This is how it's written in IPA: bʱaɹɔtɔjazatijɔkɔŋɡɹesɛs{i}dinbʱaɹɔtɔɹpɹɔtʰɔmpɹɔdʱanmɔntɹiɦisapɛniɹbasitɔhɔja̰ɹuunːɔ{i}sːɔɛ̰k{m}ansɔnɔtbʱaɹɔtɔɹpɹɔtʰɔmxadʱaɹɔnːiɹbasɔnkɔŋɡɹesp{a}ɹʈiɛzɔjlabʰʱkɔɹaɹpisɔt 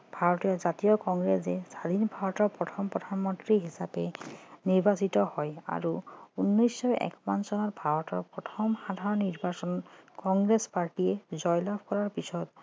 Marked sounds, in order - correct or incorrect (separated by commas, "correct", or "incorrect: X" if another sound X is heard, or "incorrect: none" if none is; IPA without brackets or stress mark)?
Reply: incorrect: a, incorrect: j, correct, correct